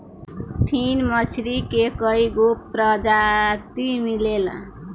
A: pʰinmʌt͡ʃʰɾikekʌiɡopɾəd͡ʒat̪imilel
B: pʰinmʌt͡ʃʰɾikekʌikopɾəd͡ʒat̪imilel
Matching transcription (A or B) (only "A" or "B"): A